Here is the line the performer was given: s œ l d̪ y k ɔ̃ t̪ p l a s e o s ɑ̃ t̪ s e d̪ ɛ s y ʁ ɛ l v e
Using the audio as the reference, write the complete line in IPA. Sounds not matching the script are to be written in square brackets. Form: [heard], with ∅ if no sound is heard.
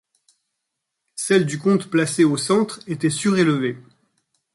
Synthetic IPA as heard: s [ɛ] l d̪ y k ɔ̃ t̪ p l a s e o s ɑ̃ t̪ [χ] e [t̪] ɛ s y ʁ [e] l v e